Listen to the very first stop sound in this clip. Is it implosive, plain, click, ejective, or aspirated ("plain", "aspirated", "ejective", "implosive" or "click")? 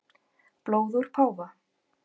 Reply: plain